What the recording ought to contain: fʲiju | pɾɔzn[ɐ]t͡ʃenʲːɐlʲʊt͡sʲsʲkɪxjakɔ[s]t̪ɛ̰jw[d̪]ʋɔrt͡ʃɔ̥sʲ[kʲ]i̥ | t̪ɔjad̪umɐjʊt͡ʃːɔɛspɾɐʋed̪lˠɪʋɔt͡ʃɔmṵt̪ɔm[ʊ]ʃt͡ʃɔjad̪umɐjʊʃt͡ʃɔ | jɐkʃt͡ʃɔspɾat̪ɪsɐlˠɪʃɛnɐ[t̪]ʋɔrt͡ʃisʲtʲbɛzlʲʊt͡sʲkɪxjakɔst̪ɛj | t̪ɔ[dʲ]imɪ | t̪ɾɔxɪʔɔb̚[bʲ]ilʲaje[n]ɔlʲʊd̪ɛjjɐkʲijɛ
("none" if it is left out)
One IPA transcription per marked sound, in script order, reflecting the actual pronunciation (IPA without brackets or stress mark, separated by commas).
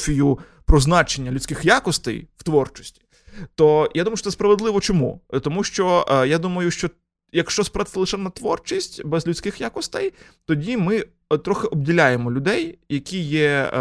ɑ, s, t̪, tʲ, u, t̪, dʲ, dʲ, m